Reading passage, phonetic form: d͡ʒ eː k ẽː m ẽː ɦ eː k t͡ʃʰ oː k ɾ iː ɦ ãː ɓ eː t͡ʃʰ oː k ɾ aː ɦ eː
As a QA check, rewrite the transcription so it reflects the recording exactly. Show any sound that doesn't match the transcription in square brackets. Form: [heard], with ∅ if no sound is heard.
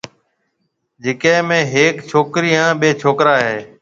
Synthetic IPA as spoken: d͡ʒ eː k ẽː m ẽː ɦ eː k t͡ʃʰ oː k ɾ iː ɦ ãː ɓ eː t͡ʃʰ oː k ɾ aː ɦ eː